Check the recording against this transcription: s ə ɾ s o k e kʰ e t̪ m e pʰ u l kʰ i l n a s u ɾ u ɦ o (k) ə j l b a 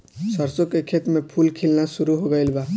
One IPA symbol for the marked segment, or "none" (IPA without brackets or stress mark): ɡ